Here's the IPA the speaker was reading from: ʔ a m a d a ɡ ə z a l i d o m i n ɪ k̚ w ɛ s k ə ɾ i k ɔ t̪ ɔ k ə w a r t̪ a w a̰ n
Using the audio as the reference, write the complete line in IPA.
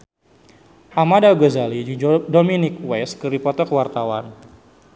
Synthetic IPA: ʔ a m a d a ɡ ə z a l i d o m i n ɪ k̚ w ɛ s k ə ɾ i p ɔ t̪ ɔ k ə w a r t̪ a w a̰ n